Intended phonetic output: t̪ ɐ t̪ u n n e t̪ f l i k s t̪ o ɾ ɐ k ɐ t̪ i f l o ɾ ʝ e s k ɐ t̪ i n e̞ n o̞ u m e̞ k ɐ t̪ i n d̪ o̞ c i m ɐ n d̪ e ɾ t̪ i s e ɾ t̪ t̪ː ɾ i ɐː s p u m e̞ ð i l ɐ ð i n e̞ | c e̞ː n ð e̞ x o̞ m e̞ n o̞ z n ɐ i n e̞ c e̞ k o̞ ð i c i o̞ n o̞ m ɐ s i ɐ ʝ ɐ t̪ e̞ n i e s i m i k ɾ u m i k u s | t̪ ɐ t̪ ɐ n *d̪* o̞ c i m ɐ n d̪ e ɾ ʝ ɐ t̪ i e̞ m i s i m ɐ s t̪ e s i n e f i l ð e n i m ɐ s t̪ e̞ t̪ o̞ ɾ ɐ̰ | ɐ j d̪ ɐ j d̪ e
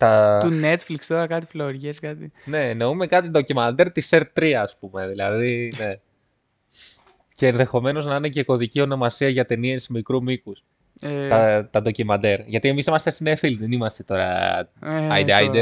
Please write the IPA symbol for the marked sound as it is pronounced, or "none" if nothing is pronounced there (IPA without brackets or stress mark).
d̪